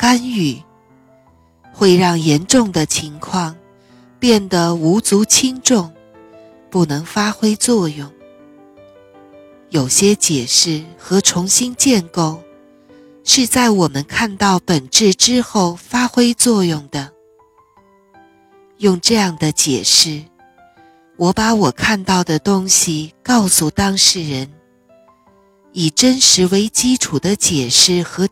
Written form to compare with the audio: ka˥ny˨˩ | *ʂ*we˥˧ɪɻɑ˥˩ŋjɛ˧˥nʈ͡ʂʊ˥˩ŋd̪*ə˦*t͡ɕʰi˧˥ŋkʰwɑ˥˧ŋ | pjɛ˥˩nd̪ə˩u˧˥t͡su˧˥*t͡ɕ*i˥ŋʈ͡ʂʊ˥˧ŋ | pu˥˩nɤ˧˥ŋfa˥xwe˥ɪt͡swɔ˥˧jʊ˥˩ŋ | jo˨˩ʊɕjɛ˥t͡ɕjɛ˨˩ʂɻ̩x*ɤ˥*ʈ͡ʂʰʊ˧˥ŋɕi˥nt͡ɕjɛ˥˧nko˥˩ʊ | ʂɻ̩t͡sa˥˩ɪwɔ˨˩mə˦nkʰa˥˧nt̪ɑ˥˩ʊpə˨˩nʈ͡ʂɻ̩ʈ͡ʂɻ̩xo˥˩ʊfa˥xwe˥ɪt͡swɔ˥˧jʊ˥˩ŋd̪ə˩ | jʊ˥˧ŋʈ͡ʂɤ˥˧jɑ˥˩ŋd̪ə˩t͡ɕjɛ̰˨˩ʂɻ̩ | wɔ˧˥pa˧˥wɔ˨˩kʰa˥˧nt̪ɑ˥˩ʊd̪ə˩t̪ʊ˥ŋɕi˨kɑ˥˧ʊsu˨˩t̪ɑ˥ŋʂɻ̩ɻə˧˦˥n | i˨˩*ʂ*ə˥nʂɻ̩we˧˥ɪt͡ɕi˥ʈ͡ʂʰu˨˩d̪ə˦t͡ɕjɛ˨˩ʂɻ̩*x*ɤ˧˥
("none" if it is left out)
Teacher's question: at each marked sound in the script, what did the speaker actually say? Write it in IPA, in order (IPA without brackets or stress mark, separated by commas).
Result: x, ə˩, t͡ɕʰ, ɤ˧˥, ʈ͡ʂ, x